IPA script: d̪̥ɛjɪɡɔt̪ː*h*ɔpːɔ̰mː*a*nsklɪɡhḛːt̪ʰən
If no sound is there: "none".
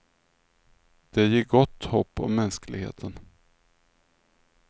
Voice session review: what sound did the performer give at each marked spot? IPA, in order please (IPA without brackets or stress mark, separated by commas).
h, ɛ